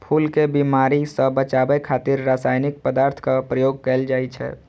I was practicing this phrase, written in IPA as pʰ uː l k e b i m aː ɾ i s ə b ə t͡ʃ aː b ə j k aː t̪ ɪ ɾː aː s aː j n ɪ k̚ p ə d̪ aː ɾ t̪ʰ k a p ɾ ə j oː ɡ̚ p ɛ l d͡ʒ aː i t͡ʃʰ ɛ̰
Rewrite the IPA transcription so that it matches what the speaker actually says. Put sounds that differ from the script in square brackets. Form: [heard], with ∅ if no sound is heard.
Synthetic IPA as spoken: pʰ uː l k e b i m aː ɾ i s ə b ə t͡ʃ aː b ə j [kʰ] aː t̪ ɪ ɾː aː s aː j n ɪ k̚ p ə d̪ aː ɾ t̪ʰ k a p ɾ ə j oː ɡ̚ [k] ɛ l d͡ʒ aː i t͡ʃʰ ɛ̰